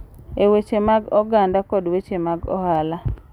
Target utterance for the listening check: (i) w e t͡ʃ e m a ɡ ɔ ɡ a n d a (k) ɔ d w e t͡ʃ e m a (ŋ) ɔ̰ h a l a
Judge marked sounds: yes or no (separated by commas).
no, yes, no